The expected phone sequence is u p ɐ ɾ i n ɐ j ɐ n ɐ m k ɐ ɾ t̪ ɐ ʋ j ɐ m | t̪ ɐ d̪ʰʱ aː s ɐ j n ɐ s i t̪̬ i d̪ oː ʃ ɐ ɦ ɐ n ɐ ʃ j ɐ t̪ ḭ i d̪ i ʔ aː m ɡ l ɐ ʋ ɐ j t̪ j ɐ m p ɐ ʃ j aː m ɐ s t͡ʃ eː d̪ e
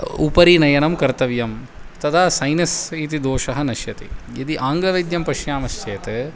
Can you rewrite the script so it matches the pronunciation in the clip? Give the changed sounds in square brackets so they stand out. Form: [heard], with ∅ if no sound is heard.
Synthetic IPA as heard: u p ɐ ɾ i n ɐ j ɐ n ɐ m k ɐ ɾ t̪ ɐ ʋ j ɐ m | t̪ ɐ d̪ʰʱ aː s ɐ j n ɐ s i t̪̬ i d̪ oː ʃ ɐ ɦ ɐ n ɐ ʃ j ɐ t̪ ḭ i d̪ i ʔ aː [ŋ] ɡ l ɐ ʋ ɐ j [d̪] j ɐ m p ɐ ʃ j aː m ɐ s t͡ʃ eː [t̪] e

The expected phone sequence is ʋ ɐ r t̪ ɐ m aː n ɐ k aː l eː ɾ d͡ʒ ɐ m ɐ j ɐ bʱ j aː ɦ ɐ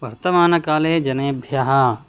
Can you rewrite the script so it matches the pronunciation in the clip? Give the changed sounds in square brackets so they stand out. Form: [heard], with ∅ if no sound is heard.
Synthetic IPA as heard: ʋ ɐ [ɾ] t̪ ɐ m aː n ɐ k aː l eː [∅] d͡ʒ ɐ [n] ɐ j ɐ bʱ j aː ɦ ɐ

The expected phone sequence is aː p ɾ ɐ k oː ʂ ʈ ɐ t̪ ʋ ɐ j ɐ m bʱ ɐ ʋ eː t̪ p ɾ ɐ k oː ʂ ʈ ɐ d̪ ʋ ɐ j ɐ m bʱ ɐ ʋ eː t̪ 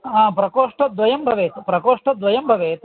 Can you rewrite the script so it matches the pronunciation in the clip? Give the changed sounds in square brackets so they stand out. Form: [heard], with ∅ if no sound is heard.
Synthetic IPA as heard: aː p ɾ ɐ k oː ʂ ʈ ɐ [d̪] ʋ ɐ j ɐ m bʱ ɐ ʋ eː t̪ p ɾ ɐ k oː ʂ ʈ ɐ d̪ ʋ ɐ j ɐ m bʱ ɐ ʋ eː t̪

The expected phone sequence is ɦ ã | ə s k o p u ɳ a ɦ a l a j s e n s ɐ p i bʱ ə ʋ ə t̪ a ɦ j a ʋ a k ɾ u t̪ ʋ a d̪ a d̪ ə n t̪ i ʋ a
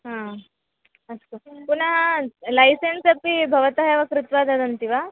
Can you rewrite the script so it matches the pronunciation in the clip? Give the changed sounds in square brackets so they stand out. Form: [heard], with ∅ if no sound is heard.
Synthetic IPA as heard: ɦ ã | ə s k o p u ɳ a ɦ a l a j s e n s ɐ p i bʱ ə ʋ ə t̪ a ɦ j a ʋ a k ɾ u t̪ ʋ a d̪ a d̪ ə n t̪ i ʋ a

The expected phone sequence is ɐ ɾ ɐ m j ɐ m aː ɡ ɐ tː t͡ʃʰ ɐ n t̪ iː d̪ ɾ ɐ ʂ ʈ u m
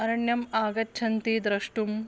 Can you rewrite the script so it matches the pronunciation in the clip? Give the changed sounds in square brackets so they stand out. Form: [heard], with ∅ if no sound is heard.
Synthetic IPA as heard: ɐ ɾ ɐ [ɳ] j ɐ m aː ɡ ɐ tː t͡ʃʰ ɐ n t̪ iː d̪ ɾ ɐ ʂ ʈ u m

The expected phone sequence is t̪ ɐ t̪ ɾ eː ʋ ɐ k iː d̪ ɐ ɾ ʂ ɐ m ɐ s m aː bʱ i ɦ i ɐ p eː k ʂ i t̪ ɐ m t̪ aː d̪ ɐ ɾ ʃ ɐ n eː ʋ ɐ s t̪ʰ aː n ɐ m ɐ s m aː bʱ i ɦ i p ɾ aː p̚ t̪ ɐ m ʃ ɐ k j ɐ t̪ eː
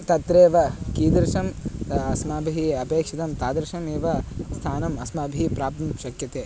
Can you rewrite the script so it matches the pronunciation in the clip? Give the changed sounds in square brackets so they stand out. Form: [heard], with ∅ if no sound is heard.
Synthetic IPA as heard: t̪ ɐ t̪ ɾ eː ʋ ɐ k iː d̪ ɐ ɾ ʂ ɐ m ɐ s m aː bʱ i ɦ i ɐ p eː k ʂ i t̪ ɐ m t̪ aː d̪ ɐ ɾ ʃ ɐ [m] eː ʋ ɐ s t̪ʰ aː n ɐ m ɐ s m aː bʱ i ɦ i p ɾ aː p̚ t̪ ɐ m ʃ ɐ k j ɐ t̪ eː

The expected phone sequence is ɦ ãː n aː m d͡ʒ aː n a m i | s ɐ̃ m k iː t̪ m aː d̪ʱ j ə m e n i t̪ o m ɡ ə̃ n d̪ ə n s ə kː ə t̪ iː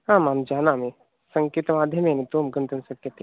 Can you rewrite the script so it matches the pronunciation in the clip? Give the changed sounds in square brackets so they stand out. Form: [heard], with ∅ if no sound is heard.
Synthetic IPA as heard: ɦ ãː [m] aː m d͡ʒ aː n a m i | s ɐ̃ [ŋ] k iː t̪ m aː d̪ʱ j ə m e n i t̪ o m ɡ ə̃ n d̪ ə n s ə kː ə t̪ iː

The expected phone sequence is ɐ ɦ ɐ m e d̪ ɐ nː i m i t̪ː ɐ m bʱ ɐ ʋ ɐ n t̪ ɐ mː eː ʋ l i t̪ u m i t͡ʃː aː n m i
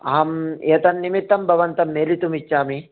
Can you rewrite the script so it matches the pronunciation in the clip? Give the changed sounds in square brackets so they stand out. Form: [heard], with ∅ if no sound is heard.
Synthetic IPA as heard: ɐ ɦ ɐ m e [t̪] ɐ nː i m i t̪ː ɐ m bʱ ɐ ʋ ɐ n t̪ ɐ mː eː [∅] l i t̪ u m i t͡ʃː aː [∅] m i

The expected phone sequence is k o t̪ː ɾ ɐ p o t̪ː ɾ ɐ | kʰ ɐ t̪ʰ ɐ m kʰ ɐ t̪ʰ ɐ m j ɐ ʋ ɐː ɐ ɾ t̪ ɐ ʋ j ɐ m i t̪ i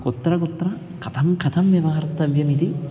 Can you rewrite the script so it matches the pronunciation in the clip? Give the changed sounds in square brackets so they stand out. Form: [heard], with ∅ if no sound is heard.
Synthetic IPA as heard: k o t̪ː ɾ ɐ [k] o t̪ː ɾ ɐ | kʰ ɐ t̪ʰ ɐ m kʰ ɐ t̪ʰ ɐ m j ɐ ʋ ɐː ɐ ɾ t̪ ɐ ʋ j ɐ m i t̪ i

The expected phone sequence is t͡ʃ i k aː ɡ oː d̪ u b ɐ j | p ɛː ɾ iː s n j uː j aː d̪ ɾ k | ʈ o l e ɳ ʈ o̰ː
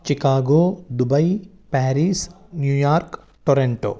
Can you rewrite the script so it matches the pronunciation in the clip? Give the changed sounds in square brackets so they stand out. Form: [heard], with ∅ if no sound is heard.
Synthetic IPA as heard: t͡ʃ i k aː ɡ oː d̪ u b ɐ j | p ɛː ɾ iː s n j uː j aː [∅] ɾ k | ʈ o [ɾ] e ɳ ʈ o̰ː

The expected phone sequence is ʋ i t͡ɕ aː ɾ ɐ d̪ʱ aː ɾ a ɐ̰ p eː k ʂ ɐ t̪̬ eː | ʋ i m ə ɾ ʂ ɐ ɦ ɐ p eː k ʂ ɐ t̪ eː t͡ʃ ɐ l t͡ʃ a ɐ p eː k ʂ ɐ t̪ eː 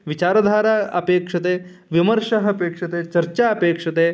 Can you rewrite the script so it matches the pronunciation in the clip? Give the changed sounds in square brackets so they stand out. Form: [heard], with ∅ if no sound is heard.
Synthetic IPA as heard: ʋ i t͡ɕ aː ɾ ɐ d̪ʱ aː ɾ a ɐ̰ p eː k ʂ ɐ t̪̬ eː | ʋ i m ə ɾ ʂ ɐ ɦ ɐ p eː k ʂ ɐ t̪ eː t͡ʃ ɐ [ɾ] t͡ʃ a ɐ p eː k ʂ ɐ t̪ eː

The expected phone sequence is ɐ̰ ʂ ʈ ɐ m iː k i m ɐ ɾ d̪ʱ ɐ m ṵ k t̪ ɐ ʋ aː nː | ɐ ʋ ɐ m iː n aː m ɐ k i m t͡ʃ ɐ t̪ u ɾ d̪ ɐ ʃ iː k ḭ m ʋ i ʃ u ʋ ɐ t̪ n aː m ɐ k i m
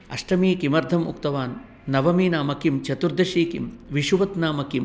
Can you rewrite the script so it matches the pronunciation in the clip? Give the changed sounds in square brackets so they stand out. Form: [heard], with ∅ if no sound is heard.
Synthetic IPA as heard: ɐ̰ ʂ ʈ ɐ m iː k i m ɐ ɾ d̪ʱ ɐ m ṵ k t̪ ɐ ʋ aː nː | ɐ ʋ ɐ m iː n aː m ɐ k i m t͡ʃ ɐ t̪ u ɾ d̪ ɐ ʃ iː k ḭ m ʋ i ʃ u ʋ ɐ t̪ n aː m ɐ k i m

